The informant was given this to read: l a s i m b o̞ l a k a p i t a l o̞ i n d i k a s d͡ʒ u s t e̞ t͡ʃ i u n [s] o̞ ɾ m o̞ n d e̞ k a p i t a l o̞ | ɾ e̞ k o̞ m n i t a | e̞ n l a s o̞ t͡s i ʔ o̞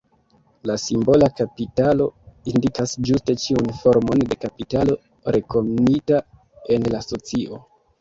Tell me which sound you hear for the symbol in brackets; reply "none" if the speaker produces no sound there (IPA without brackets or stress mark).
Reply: f